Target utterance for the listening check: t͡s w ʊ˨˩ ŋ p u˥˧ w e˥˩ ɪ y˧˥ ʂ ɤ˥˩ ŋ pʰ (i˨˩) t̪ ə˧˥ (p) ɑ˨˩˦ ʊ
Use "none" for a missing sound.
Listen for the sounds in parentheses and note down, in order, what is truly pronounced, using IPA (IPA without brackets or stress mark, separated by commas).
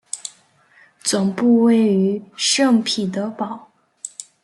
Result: i˨˩, p